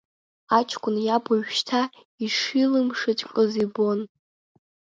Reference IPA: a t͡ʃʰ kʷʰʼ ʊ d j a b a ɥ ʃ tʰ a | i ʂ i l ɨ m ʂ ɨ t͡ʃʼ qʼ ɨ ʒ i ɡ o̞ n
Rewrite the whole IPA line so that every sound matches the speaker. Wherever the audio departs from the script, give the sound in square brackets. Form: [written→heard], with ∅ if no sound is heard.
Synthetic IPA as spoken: a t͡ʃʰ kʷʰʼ ʊ [d→n] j a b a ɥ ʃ tʰ a | i ʂ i l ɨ m ʂ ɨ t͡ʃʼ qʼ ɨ [ʒ→z] i [ɡ→b] o̞ n